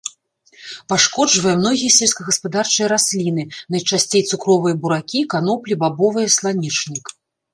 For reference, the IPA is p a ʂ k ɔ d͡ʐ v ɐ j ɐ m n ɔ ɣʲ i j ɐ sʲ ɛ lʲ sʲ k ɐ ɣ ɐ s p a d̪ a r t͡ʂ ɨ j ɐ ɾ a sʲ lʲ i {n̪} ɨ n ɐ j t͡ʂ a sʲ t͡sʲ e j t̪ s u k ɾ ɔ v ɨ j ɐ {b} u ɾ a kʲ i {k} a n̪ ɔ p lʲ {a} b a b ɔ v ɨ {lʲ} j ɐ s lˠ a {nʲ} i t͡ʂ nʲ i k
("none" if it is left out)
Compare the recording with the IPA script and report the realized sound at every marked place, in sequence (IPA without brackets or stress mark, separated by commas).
n̪, b, k, i, none, nʲ